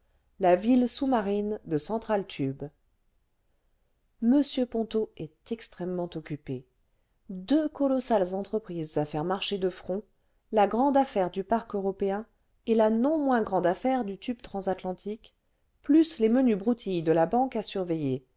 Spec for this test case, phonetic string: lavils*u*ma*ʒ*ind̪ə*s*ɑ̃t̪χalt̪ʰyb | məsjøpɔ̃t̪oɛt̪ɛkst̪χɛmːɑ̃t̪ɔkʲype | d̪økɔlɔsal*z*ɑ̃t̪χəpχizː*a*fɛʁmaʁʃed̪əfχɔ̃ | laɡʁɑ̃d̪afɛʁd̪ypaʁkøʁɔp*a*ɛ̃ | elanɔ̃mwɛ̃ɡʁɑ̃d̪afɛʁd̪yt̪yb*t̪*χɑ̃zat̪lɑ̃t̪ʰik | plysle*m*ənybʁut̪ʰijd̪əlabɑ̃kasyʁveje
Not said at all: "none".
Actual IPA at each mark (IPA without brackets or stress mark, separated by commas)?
u, ʁ, s, z, a, e, t̪, m